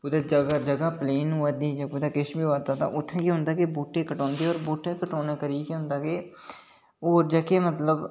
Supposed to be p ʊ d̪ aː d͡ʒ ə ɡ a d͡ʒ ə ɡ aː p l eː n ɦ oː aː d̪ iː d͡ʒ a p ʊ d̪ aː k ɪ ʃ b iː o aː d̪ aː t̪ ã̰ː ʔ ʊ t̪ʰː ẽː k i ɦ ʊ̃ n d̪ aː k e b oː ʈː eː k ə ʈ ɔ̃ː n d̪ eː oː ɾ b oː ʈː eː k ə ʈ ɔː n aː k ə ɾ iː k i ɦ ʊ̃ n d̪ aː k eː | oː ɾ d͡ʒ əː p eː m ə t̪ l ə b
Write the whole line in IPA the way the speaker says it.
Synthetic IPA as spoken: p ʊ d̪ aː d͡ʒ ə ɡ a d͡ʒ ə ɡ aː p l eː n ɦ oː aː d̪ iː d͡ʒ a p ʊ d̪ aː k ɪ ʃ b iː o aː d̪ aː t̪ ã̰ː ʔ ʊ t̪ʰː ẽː k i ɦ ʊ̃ n d̪ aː k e b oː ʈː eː k ə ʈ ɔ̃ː n d̪ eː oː ɾ b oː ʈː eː k ə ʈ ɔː n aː k ə ɾ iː k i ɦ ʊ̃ n d̪ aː k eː | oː ɾ d͡ʒ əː k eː m ə t̪ l ə b